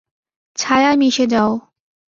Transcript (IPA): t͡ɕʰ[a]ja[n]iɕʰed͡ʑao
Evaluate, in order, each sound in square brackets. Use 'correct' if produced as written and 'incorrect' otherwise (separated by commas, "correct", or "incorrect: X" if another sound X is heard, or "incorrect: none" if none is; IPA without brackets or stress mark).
correct, incorrect: m